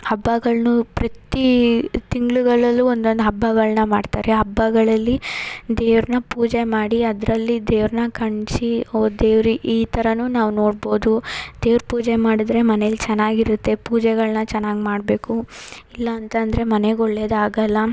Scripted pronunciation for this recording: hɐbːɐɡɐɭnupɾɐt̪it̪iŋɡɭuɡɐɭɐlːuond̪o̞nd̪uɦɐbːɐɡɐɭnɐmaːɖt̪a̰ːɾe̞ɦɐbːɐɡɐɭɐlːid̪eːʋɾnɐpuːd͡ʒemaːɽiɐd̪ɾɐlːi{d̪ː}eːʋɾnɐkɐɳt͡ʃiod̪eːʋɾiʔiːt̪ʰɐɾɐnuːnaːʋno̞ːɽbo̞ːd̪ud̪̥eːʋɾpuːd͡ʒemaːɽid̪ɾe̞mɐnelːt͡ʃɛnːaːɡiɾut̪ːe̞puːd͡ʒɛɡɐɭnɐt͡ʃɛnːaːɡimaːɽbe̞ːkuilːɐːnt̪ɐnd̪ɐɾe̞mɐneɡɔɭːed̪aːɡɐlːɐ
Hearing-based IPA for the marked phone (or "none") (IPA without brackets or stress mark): d̪